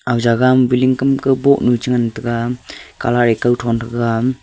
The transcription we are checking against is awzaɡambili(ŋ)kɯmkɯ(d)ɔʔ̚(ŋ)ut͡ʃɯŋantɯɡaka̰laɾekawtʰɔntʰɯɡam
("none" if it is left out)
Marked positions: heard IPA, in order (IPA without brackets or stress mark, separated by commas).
ŋ, b, n